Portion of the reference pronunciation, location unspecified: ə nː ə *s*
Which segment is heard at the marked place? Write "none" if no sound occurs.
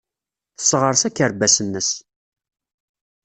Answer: s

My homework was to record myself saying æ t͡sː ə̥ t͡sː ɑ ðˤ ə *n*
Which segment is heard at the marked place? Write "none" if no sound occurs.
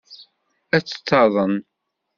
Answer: n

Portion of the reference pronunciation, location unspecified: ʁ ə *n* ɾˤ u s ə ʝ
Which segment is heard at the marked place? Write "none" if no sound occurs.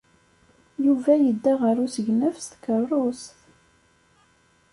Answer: none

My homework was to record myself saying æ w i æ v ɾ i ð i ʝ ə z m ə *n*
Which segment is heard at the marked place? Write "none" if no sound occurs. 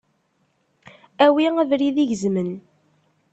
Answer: n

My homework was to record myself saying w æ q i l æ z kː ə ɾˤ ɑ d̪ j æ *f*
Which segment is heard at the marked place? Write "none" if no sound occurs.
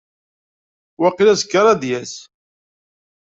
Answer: s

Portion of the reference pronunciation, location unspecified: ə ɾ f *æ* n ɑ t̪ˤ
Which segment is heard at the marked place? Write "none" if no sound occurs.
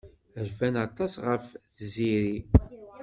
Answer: æ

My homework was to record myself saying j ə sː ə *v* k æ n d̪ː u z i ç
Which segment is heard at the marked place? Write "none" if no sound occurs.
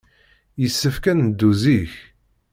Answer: f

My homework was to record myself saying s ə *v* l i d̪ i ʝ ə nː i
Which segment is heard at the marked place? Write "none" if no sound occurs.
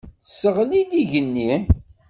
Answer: ʁ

